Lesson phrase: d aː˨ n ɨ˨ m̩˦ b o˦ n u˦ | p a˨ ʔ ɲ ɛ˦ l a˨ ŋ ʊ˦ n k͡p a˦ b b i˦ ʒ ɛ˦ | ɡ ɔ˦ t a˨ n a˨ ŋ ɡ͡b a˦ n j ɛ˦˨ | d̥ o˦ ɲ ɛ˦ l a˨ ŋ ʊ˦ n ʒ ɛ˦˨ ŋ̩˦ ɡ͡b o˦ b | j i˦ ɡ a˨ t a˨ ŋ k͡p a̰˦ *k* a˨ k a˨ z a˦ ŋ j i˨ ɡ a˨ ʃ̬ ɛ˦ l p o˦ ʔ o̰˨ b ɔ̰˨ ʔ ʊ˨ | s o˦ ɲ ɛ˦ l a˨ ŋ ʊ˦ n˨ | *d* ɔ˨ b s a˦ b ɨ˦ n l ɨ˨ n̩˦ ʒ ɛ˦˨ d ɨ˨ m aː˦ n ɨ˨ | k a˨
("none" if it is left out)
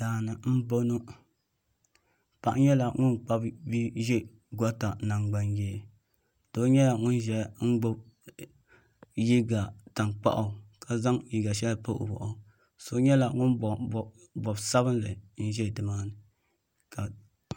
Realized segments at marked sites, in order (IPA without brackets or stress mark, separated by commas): ʔ, b